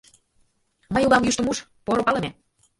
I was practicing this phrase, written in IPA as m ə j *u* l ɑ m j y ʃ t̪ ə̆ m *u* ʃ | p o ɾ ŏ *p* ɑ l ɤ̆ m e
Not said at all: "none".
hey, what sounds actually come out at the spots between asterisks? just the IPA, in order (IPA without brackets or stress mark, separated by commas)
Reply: u, u, p